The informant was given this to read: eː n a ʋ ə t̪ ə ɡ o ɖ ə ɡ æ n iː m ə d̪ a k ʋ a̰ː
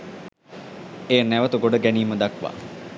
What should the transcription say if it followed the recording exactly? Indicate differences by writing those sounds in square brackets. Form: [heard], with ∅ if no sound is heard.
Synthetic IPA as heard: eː n [æ] ʋ ə t̪ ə ɡ o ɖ ə ɡ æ n iː m ə d̪ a k ʋ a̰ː

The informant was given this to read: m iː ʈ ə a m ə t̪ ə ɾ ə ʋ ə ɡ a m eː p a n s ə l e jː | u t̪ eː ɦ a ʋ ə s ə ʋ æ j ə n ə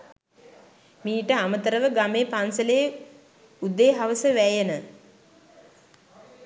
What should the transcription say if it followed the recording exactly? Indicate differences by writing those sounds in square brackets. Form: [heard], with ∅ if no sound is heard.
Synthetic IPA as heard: m iː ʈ ə a m ə t̪ ə ɾ ə ʋ ə ɡ a m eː p a n s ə l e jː | u [d̪] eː ɦ a ʋ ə s ə ʋ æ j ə n ə

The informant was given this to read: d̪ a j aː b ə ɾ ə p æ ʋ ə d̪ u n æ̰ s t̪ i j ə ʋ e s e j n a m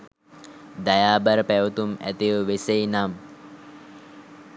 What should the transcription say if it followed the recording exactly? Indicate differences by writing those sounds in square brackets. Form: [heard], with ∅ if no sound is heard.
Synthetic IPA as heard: d̪ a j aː b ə ɾ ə p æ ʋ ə [t̪] u [m] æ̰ [∅] t̪ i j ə ʋ e s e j n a m

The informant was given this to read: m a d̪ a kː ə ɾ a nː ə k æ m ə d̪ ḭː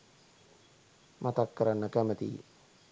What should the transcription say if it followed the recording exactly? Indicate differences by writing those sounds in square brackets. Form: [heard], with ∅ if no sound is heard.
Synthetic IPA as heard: m a [t̪] a kː ə ɾ a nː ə k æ m ə [t̪] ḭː

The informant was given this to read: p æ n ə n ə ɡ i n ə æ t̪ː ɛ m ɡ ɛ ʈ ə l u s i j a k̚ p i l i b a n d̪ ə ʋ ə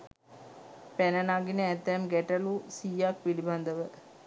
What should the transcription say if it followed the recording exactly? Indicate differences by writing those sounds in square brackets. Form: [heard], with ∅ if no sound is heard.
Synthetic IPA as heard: p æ n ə n [a] ɡ i n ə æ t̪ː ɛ m ɡ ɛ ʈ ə l u s i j a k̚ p i l i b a n d̪ ə ʋ ə

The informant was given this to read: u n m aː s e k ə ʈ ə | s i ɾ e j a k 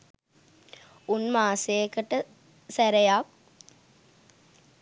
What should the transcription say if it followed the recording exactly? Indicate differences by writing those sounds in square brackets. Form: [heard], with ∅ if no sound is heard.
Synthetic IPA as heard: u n m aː s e k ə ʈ ə | s [æ] ɾ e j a k

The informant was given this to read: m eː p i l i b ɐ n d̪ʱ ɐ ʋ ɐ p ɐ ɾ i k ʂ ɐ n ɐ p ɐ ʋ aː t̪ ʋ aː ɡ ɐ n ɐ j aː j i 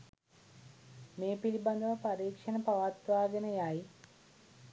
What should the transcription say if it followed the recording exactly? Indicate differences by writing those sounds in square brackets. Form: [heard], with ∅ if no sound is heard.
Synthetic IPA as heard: m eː p i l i b ɐ n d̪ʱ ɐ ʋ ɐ p ɐ ɾ [iː] k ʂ ɐ n ɐ p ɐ ʋ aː t̪ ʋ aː ɡ ɐ n ɐ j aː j i

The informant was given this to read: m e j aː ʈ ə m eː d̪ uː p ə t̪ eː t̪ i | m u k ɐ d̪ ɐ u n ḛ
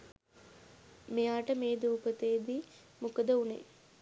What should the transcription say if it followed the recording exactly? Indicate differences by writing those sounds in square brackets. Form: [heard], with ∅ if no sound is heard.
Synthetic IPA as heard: m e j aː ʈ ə m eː d̪ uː p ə t̪ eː [d̪] i | m u k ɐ d̪ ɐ u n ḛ

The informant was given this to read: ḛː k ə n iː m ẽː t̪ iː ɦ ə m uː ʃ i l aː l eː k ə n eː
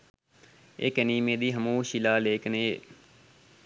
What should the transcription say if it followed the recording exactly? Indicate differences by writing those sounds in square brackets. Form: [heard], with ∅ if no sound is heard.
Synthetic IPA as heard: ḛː k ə n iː m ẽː [d̪] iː ɦ ə m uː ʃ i l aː l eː k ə n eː

